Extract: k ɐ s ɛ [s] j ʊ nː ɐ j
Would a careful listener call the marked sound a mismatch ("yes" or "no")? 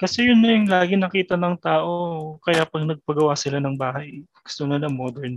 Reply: yes